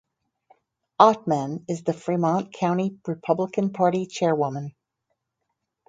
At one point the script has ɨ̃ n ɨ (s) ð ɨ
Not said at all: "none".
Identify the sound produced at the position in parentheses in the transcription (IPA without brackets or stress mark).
z